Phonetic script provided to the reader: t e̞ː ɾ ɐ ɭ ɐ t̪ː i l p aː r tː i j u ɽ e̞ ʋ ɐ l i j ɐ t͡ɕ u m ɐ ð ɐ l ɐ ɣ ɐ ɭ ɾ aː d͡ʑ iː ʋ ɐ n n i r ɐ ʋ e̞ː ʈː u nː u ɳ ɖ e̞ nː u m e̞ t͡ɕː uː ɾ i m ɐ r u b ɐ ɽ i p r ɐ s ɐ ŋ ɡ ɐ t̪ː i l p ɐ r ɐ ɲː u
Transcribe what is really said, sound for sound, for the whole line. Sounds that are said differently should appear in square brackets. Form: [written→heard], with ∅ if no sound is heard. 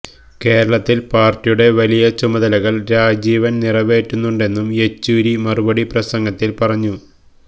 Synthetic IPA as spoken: [t→k] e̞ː ɾ ɐ ɭ ɐ t̪ː i l p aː r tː i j u ɽ e̞ ʋ ɐ l i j ɐ t͡ɕ u m ɐ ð ɐ l ɐ ɣ ɐ ɭ ɾ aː d͡ʑ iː ʋ ɐ n n i r ɐ ʋ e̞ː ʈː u nː u ɳ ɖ e̞ nː u m e̞ t͡ɕː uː ɾ i m ɐ r u b ɐ ɽ i p r ɐ s ɐ ŋ ɡ ɐ t̪ː i l p ɐ r ɐ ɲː u